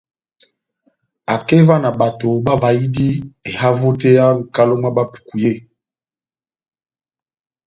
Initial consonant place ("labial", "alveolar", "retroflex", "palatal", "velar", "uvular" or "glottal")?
velar